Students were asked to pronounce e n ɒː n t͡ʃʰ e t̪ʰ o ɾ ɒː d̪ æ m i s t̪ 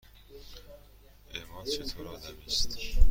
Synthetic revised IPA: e m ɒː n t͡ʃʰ e t̪ʰ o ɾ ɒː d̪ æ m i s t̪